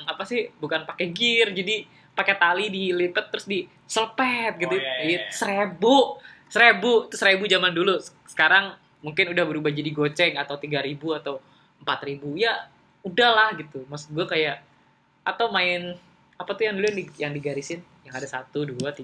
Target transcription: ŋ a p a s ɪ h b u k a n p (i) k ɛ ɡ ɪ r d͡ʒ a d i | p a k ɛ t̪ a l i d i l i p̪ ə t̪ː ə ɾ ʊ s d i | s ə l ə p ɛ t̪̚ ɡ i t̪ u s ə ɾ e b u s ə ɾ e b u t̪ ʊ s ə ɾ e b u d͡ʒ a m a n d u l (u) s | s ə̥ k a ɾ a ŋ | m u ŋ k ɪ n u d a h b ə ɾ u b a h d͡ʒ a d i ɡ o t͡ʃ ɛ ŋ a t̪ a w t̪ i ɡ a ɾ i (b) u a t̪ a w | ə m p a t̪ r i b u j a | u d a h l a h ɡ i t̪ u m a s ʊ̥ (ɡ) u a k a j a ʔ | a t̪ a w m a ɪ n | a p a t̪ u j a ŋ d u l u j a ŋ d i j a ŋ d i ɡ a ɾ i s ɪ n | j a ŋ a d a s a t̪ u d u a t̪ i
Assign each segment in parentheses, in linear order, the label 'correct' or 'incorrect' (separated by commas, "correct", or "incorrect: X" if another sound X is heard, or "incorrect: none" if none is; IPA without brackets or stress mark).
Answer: incorrect: a, correct, correct, correct